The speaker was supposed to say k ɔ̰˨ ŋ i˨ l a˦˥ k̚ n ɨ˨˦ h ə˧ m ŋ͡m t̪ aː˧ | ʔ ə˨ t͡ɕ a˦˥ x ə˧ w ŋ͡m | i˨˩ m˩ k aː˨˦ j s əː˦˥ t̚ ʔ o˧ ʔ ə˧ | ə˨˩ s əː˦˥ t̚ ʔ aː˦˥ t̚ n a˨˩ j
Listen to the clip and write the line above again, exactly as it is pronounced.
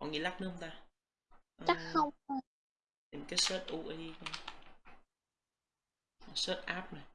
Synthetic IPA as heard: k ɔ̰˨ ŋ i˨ l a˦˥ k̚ n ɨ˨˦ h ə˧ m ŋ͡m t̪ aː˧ | ʔ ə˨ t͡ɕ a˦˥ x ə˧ w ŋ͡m | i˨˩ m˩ k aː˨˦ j s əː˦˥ t̚ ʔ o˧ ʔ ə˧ | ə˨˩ s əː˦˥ t̚ ʔ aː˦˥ p̚ n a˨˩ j